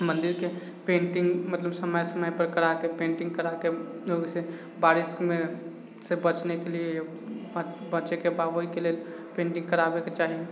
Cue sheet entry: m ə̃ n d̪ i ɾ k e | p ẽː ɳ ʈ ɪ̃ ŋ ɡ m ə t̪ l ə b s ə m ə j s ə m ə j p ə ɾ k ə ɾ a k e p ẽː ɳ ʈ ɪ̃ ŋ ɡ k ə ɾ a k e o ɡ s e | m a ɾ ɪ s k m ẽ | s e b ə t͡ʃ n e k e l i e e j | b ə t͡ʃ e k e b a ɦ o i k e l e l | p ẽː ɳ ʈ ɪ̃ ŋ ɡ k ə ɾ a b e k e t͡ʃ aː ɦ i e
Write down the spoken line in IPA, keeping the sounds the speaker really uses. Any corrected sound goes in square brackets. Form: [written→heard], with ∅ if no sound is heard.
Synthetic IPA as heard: m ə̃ n d̪ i ɾ k e | p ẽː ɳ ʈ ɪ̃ ŋ ɡ m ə t̪ l ə b s ə m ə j s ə m ə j p ə ɾ k ə ɾ a k e p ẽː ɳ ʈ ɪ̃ ŋ ɡ k ə ɾ a k e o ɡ s e | [m→b] a ɾ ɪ s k m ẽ | s e b ə t͡ʃ n e k e l i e e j | b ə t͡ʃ e k e b a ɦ o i k e l e l | p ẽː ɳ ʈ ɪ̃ ŋ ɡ k ə ɾ a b e k e t͡ʃ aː ɦ i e